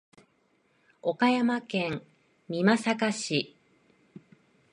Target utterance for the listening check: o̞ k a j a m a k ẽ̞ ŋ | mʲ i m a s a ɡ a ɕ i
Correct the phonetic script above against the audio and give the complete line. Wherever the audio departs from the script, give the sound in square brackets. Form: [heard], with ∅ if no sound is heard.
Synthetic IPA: o̞ k a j a m a k ẽ̞ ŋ | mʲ i m a s a [k] a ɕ i